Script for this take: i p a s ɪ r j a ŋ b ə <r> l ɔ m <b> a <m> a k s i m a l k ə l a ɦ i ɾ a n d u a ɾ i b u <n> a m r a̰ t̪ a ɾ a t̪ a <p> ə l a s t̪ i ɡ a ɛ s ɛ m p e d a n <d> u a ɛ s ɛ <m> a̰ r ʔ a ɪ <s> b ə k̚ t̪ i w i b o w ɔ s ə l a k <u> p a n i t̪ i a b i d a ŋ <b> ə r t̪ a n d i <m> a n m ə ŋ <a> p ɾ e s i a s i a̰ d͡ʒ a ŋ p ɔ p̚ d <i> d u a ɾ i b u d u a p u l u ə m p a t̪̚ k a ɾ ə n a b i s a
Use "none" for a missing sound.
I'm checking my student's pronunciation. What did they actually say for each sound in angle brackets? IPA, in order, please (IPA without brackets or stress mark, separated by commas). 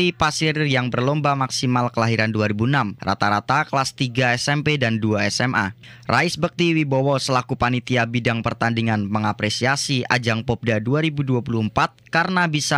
r, b, m, n, k, d, m, s, u, p, ŋ, a, a